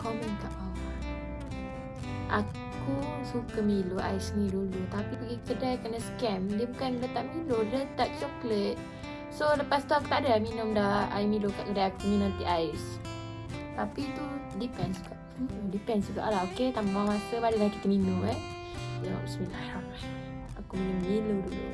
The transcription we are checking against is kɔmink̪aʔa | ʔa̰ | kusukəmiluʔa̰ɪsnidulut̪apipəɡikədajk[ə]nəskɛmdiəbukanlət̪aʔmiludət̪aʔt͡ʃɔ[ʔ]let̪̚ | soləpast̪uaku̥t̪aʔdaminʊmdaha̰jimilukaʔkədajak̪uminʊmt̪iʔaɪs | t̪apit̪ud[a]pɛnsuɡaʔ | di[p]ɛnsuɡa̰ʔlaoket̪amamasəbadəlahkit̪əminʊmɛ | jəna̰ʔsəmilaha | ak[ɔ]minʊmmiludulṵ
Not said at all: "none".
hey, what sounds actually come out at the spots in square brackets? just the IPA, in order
ə, k, i, p, u

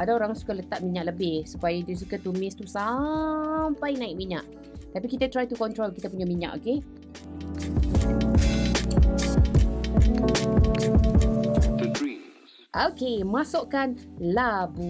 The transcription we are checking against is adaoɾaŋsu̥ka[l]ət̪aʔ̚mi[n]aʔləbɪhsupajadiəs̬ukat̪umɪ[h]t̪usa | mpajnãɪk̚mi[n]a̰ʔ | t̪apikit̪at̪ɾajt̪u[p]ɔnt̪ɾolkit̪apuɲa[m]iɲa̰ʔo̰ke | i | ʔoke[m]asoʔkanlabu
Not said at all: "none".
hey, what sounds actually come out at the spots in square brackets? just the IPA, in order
l, ɲ, s, ɲ, k, m, m

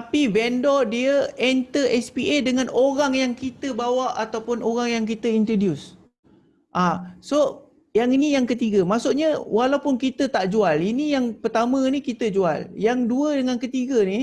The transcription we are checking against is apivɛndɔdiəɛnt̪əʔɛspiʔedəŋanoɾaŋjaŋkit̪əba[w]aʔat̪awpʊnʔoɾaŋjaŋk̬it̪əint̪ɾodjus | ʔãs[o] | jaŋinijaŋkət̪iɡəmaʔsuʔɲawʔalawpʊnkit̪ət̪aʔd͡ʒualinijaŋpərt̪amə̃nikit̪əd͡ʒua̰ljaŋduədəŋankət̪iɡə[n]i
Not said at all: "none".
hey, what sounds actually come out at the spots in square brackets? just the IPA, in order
w, o, n

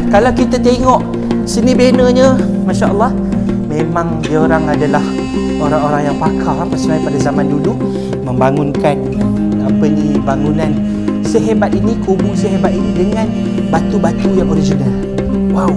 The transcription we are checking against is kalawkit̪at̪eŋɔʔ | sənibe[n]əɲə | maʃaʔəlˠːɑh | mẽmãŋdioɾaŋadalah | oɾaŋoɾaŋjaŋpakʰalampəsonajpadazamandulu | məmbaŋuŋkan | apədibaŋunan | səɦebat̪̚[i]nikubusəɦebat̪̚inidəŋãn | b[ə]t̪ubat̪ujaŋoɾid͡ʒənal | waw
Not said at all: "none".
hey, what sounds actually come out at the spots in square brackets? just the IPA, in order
n, i, a

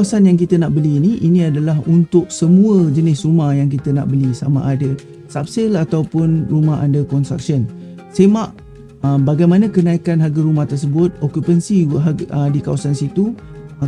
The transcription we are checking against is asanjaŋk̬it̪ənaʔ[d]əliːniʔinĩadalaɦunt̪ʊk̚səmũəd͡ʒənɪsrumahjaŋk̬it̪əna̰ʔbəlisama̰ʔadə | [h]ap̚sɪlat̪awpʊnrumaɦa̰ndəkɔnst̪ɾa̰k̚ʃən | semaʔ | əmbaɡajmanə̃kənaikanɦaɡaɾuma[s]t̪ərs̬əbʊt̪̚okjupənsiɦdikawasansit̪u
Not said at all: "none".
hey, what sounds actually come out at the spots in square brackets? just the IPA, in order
b, s, h

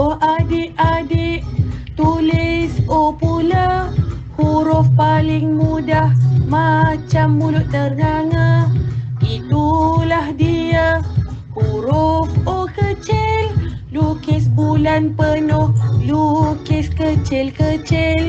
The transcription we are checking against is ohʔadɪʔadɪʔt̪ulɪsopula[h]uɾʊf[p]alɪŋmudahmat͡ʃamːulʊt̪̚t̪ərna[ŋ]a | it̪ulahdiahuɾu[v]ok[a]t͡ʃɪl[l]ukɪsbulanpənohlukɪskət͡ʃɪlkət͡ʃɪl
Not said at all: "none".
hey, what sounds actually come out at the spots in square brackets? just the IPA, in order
h, p, ŋ, f, ə, l

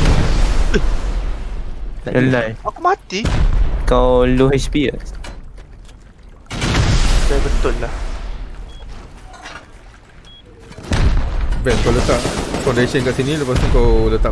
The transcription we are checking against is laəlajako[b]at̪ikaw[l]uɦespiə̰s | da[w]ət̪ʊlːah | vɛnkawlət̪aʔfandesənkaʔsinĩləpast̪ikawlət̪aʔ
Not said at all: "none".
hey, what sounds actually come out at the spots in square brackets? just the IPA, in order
m, l, b

